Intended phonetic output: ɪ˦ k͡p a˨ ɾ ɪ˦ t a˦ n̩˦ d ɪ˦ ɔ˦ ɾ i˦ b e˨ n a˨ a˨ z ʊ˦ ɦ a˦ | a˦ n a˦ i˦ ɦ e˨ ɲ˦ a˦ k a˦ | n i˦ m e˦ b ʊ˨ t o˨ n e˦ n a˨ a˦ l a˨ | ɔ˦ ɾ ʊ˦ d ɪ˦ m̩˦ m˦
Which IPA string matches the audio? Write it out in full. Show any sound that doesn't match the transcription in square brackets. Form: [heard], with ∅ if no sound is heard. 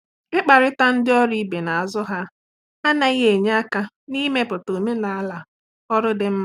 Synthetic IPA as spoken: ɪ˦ k͡p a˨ ɾ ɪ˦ t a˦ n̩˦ d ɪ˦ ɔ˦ ɾ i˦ b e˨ n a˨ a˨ z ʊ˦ ɦ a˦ | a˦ n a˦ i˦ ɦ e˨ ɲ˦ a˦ k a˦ | n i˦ m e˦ [p] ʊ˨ t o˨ [m] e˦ n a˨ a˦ l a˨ | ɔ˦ ɾ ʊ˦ d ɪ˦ m̩˦ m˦

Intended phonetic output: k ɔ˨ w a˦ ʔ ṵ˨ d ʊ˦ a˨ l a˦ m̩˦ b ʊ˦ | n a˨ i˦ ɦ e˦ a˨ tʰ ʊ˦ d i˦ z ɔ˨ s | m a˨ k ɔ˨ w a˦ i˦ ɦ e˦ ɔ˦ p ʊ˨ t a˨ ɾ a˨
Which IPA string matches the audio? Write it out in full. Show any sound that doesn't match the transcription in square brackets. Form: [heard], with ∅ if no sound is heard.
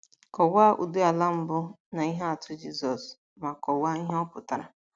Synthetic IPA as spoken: k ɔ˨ w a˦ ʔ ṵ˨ d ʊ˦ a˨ l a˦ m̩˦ b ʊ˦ | n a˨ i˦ ɦ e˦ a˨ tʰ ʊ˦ [d͡ʒ] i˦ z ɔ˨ s | m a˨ k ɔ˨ w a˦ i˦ ɦ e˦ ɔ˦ p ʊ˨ t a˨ ɾ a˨

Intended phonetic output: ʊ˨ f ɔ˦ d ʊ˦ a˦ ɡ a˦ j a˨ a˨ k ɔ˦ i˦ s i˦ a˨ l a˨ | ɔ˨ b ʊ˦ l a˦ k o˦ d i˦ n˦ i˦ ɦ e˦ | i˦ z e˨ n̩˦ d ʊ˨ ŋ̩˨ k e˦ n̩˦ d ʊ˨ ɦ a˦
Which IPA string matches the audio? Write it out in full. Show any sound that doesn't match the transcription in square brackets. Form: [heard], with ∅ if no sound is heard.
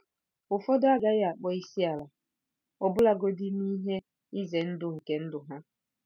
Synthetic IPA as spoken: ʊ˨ f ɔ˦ d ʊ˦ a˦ ɡ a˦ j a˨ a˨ [k͡p] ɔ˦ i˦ s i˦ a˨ l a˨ | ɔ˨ b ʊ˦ l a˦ [ɡ] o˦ d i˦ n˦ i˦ ɦ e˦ | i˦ z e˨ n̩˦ d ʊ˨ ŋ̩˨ k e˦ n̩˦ d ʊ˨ ɦ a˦

